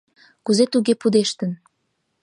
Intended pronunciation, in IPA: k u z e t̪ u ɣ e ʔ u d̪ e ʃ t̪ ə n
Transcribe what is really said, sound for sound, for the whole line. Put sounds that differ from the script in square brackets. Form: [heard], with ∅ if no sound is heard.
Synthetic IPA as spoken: k u z e t̪ u ɣ e [p] u d̪ e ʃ t̪ ə n